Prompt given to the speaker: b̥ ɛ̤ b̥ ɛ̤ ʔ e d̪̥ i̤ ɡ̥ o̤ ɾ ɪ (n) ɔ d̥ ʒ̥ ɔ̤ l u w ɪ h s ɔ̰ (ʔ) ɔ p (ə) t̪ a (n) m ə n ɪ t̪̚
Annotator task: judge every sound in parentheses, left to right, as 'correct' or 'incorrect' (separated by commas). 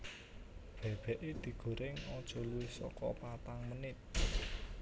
incorrect, incorrect, incorrect, incorrect